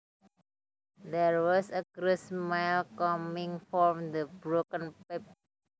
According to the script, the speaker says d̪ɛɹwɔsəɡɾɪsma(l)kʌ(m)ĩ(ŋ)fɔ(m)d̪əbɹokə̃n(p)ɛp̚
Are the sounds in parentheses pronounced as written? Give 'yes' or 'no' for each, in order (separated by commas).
yes, yes, yes, yes, yes